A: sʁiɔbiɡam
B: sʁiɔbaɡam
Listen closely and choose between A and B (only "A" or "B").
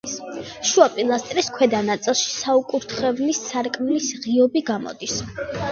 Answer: A